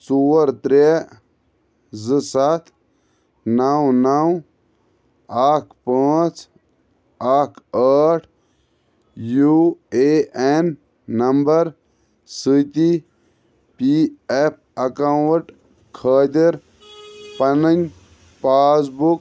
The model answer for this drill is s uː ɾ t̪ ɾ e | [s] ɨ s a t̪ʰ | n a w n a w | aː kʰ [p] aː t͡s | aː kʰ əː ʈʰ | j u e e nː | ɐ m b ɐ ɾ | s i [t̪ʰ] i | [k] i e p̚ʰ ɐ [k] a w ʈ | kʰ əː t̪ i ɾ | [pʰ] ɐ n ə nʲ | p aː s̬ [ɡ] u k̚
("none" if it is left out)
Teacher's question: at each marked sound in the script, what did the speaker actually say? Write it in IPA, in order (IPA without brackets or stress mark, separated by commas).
z, p, t̪, p, k, p, b